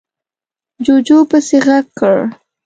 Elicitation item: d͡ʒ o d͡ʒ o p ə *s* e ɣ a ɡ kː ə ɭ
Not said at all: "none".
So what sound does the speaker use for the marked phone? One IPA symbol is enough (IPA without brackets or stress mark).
s